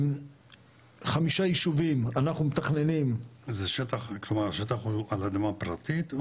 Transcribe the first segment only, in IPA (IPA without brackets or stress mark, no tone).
χ